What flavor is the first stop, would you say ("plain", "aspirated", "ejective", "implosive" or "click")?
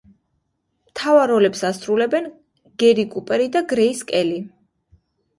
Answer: aspirated